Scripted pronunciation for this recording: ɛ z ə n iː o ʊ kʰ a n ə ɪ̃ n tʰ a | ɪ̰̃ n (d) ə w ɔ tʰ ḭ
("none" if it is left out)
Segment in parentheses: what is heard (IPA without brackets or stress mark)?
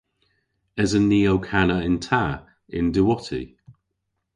d